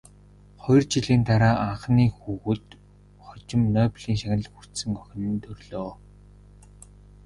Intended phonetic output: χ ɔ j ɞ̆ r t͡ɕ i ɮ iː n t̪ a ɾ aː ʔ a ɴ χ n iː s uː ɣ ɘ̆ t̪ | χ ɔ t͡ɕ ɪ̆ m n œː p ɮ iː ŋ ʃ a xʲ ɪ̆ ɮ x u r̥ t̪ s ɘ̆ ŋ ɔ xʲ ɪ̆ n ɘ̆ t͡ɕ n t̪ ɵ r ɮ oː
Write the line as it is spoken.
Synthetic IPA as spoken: χ ɔ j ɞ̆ r t͡ɕ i ɮ iː n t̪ a ɾ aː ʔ a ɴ χ n iː x uː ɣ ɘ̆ t̪ | χ ɔ t͡ɕ ɪ̆ m n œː p ɮ iː ŋ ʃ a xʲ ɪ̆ ɮ x u r̥ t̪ s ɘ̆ ŋ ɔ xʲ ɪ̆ n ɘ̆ n t̪ ɵ r ɮ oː